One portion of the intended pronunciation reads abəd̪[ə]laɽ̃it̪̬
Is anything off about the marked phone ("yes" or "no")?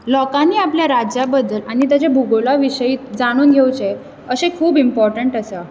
no